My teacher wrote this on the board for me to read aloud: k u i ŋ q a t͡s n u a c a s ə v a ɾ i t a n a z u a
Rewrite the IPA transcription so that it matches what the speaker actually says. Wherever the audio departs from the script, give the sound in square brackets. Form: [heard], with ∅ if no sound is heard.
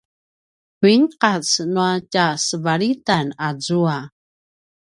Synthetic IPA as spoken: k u i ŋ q a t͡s n u a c a s ə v a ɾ i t a n a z u a